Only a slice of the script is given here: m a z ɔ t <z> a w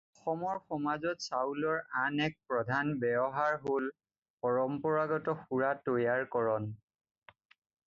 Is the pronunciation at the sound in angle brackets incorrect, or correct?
incorrect